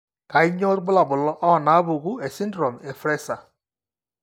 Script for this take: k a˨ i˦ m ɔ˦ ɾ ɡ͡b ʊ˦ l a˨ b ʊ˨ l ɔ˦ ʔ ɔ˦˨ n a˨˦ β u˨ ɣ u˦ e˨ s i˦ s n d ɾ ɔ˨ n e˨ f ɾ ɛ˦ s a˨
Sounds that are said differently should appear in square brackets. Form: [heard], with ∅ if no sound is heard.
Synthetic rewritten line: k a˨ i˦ [ɲ] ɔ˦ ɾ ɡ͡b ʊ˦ l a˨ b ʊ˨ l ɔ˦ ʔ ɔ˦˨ n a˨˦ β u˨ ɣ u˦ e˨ s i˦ [∅] n d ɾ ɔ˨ [m] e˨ f ɾ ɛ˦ s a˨